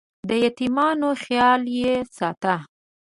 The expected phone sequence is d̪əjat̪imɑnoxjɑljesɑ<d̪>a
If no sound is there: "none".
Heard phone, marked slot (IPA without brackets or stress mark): t̪